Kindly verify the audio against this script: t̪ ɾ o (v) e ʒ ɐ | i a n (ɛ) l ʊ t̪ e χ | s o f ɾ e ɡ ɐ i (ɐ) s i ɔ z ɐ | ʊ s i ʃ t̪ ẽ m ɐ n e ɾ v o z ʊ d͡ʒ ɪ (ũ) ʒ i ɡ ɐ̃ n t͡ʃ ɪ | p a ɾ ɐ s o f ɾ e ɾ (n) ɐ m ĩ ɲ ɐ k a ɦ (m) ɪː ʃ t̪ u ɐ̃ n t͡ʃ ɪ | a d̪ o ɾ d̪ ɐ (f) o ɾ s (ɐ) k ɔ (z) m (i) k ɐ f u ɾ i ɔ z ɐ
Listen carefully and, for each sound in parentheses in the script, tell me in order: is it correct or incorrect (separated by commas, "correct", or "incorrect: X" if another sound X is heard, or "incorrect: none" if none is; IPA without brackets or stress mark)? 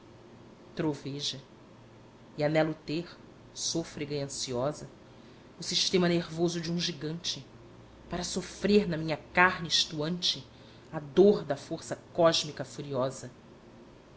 correct, correct, incorrect: ɐ̃, correct, correct, incorrect: n, correct, correct, incorrect: ʒ, correct